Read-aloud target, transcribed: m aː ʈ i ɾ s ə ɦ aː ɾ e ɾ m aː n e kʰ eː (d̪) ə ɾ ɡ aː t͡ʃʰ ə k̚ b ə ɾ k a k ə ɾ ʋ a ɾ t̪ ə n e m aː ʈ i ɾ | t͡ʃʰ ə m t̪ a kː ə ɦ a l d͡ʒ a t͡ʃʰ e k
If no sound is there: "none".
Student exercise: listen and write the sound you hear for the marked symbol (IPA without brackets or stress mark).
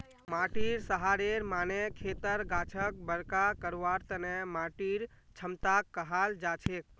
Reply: t̪